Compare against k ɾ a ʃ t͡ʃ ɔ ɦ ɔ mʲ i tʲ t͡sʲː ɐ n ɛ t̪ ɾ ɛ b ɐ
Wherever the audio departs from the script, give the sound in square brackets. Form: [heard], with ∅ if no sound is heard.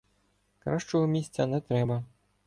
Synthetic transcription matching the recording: k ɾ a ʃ t͡ʃ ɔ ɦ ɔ mʲ i [sʲ] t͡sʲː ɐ n ɛ t̪ ɾ ɛ b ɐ